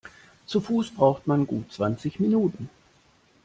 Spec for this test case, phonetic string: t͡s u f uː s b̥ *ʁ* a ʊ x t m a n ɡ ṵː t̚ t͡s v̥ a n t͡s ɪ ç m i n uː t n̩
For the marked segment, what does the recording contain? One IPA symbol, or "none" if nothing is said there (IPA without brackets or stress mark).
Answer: ʁ